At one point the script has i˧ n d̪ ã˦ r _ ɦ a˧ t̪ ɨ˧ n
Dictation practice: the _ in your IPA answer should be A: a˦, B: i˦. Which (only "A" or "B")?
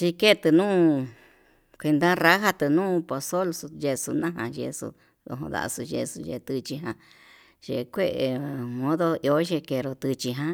A